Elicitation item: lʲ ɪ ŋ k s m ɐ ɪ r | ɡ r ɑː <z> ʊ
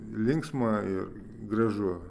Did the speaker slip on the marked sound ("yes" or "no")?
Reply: yes